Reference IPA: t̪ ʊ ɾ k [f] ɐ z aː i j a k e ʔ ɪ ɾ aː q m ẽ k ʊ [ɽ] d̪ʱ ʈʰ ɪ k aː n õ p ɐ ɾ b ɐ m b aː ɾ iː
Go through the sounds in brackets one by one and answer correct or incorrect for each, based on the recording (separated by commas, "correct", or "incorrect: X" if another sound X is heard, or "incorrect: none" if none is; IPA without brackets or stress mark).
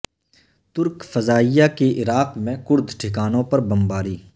correct, incorrect: ɾ